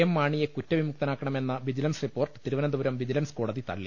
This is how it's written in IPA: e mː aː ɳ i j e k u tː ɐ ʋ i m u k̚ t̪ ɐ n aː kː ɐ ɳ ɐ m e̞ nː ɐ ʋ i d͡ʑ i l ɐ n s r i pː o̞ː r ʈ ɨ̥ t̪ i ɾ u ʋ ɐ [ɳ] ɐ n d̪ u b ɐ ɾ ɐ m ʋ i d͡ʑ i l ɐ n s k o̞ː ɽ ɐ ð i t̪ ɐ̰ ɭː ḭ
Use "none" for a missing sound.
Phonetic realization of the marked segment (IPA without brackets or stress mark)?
n